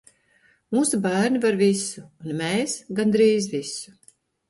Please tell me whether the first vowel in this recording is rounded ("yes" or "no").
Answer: yes